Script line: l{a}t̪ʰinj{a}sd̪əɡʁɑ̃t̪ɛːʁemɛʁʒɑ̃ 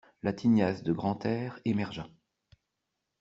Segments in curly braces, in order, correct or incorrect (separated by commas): correct, correct